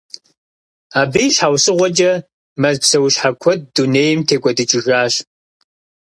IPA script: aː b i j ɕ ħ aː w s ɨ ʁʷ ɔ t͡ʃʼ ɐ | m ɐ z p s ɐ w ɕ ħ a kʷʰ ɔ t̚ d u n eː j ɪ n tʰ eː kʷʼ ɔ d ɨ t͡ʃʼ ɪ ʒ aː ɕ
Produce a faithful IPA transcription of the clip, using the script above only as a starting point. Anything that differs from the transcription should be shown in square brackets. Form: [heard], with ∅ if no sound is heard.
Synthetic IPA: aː b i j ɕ ħ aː w s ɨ ʁʷ ɔ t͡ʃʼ ɐ | m ɐ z p s ɐ w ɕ ħ a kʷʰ ɔ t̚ d u n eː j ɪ [m] tʰ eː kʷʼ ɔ d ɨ t͡ʃʼ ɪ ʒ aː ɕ